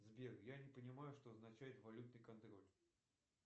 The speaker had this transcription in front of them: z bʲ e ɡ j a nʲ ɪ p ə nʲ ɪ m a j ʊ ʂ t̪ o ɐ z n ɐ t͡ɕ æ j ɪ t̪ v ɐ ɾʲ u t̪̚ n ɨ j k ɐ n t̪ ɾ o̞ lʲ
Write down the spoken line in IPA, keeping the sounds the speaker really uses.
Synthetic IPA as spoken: z bʲ e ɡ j a nʲ ɪ p ə nʲ ɪ m a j ʊ ʂ t̪ o ɐ z n ɐ t͡ɕ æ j ɪ t̪ v ɐ lʲ u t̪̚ n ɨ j k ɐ n t̪ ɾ o̞ lʲ